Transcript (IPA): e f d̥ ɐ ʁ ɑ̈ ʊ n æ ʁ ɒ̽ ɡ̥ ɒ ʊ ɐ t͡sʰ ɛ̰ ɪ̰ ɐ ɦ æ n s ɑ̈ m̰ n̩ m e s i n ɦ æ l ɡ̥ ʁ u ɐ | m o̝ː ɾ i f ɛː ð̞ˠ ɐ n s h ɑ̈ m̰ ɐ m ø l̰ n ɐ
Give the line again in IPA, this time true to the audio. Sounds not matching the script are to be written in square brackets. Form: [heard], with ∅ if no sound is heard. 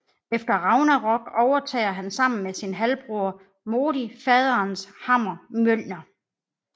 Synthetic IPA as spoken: e f d̥ ɐ ʁ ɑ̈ ʊ n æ ʁ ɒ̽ ɡ̥ ɒ ʊ ɐ t͡sʰ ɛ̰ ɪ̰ ɐ ɦ æ n s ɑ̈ m̰ n̩ m e s i n ɦ æ l [b̥] ʁ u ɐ | m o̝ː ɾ i f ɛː ð̞ˠ ɐ n s h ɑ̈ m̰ ɐ m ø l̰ n ɐ